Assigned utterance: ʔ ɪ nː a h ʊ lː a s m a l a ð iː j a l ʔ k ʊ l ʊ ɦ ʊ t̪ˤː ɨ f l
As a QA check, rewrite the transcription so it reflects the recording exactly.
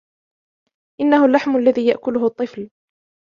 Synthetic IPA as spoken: ʔ ɪ nː a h ʊ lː a ħ m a lː a ð iː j a ʔ k ʊ l ʊ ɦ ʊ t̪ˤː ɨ f l